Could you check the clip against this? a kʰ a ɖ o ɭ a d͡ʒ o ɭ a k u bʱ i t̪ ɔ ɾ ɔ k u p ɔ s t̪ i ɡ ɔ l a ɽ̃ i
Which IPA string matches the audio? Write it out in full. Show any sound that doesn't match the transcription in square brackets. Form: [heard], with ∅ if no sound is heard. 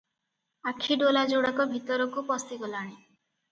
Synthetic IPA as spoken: a kʰ [i] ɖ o [l] a d͡ʒ o [ɽ] a k [ɔ] bʱ i t̪ ɔ ɾ ɔ k u p ɔ s t̪ i ɡ ɔ l a ɽ̃ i

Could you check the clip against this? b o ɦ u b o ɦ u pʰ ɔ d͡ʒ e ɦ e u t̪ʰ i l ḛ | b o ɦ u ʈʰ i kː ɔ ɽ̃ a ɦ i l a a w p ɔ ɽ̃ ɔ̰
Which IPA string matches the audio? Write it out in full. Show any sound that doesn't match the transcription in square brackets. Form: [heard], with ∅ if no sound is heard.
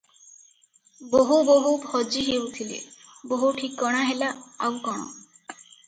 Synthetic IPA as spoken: b o ɦ u b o ɦ u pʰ ɔ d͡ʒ [i] ɦ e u t̪ʰ i l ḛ | b o ɦ u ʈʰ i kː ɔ ɽ̃ a ɦ [e] l a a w [k] ɔ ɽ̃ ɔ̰

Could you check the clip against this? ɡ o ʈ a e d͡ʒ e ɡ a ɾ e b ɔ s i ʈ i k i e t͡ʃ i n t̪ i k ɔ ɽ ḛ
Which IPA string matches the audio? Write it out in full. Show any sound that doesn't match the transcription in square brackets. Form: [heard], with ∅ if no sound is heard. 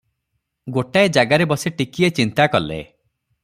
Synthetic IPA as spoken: ɡ o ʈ a e d͡ʒ [a] ɡ a ɾ e b ɔ s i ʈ i k i e t͡ʃ i n t̪ [a] k ɔ [l] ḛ

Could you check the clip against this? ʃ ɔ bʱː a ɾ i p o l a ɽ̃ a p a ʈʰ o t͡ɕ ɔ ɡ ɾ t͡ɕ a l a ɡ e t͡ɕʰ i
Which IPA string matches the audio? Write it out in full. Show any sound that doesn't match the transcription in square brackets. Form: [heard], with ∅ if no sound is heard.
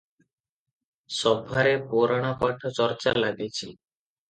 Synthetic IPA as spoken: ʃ ɔ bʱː a ɾ [e] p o [ɾ] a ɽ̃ a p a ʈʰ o t͡ɕ ɔ [∅] ɾ t͡ɕ a l a ɡ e t͡ɕʰ i

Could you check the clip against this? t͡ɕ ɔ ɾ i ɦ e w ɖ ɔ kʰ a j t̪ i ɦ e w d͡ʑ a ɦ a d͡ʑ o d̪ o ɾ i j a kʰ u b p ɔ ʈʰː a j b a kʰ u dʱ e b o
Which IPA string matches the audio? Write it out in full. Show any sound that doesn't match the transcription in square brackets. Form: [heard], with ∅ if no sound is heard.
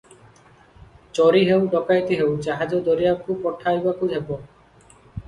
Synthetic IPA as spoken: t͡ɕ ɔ ɾ i ɦ e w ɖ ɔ [k] a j t̪ i ɦ e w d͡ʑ a ɦ a d͡ʑ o d̪ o ɾ i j a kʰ u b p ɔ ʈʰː a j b a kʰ u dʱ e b o

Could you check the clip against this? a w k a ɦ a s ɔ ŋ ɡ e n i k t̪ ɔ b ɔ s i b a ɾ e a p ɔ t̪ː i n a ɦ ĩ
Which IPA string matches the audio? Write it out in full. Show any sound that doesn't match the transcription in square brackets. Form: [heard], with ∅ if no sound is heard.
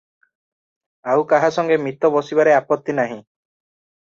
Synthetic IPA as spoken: a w k a ɦ a s ɔ ŋ ɡ e [m] i [∅] t̪ ɔ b ɔ s i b a ɾ e a p ɔ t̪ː i n a ɦ ĩ

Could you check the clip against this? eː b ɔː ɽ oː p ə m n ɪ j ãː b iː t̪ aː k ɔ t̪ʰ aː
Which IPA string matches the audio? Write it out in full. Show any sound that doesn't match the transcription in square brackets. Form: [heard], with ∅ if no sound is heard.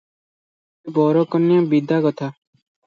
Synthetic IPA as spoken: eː b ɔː [ɾ] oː [k] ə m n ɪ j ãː b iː [d̪] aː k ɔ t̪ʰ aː

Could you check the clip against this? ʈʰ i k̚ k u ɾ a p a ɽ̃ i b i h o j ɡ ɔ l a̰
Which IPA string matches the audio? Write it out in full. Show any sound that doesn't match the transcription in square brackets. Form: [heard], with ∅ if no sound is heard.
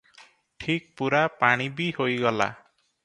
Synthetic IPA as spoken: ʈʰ i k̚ [p] u ɾ a p a ɽ̃ i b i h o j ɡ ɔ l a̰

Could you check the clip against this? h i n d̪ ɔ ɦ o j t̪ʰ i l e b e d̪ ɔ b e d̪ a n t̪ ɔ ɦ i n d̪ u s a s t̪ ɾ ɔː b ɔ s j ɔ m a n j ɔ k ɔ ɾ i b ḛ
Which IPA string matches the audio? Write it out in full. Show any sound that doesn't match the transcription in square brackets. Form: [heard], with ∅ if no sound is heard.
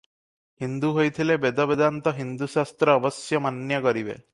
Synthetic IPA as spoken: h i n d̪ [u] ɦ o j t̪ʰ i l e b e d̪ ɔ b e d̪ a n t̪ ɔ ɦ i n d̪ u s a s t̪ ɾ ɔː b ɔ s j ɔ m a n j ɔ k ɔ ɾ i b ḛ

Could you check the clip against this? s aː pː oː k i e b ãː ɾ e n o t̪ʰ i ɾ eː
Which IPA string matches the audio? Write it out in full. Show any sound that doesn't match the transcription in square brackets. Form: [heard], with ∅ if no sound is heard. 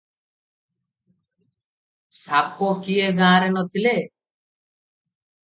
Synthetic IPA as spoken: s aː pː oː k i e [ɡ] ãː ɾ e n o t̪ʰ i [l] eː

